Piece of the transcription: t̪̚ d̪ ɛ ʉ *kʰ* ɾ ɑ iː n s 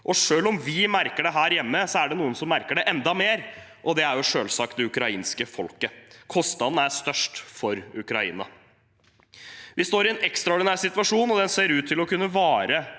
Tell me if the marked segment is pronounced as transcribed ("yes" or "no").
no